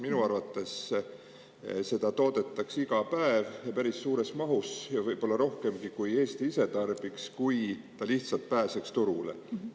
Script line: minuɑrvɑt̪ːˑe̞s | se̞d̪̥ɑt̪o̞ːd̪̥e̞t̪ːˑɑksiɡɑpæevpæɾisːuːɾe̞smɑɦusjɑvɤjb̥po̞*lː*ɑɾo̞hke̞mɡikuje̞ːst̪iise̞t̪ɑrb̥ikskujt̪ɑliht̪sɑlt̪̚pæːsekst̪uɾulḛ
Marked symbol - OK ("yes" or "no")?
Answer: yes